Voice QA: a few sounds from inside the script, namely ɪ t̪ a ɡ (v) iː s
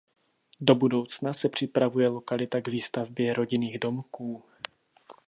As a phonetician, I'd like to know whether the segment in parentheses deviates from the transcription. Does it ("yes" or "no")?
no